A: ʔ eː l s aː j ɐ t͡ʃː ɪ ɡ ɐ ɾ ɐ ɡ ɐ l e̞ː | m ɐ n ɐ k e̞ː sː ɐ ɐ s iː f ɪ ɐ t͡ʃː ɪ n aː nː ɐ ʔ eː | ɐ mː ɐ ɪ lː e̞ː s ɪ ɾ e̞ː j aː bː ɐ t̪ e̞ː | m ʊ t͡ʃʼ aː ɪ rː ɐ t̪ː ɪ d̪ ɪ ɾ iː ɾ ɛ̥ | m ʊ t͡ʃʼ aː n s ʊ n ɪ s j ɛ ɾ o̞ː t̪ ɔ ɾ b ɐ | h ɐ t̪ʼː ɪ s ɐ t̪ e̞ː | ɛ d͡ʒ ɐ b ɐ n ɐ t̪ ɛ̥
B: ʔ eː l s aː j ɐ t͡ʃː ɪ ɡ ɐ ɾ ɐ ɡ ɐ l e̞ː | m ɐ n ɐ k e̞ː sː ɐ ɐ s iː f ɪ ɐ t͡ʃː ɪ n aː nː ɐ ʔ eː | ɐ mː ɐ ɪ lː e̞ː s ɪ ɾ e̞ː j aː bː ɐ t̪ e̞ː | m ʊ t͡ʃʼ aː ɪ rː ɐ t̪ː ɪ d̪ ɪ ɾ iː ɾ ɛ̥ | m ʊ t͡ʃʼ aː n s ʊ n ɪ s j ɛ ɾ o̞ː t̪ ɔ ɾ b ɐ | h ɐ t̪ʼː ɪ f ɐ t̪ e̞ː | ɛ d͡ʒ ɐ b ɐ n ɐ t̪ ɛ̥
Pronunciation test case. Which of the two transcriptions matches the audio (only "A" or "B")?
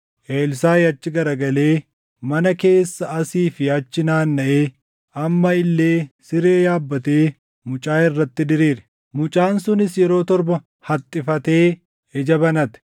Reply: B